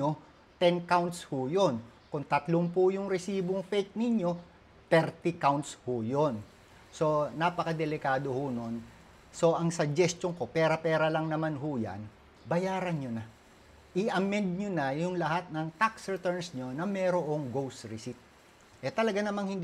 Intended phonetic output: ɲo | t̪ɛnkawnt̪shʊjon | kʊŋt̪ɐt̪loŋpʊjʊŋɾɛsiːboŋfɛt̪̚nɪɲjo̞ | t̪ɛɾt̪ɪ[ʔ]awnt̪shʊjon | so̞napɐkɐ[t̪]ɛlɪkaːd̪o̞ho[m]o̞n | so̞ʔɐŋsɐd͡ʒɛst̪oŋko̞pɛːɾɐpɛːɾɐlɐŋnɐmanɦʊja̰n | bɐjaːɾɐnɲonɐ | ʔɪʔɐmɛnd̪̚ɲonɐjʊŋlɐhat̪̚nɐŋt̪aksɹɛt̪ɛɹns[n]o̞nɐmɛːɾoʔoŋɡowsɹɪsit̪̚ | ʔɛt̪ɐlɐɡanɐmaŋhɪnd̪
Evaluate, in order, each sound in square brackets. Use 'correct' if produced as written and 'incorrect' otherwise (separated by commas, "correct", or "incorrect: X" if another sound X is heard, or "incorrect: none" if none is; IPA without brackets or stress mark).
incorrect: k, incorrect: d̪, incorrect: n, incorrect: ɲ